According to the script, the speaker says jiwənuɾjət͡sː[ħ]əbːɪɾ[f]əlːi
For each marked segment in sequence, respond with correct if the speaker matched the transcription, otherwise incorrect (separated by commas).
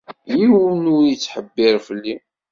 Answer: correct, correct